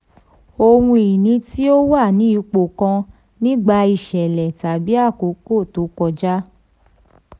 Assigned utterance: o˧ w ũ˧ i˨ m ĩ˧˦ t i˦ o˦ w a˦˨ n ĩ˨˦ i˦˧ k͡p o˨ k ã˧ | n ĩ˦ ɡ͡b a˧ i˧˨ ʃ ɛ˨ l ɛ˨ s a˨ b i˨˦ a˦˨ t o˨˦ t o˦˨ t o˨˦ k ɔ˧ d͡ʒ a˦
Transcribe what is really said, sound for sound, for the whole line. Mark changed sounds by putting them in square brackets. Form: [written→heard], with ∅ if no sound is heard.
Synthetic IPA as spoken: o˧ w ũ˧ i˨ [m→n] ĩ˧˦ t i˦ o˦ w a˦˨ n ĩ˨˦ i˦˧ k͡p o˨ k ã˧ | n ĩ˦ ɡ͡b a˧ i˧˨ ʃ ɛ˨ l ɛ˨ [s→t] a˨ b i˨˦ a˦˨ [t→k] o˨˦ [t→k] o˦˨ t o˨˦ k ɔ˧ d͡ʒ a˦